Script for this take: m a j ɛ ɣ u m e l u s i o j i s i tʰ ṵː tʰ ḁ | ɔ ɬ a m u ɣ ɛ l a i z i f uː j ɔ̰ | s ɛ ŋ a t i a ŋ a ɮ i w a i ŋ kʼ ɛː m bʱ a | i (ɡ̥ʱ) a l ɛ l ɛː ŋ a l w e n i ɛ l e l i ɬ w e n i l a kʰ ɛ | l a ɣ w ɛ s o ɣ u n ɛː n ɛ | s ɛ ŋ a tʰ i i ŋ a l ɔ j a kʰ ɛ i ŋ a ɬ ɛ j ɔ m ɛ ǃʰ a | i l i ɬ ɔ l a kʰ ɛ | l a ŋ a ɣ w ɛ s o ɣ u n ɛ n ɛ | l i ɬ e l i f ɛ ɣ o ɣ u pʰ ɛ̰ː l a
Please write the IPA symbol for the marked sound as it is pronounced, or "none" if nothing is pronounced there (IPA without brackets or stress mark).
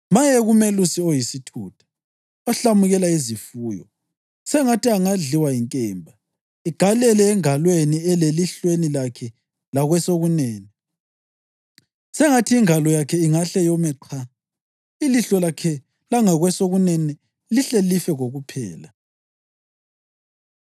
ɡ̥ʱ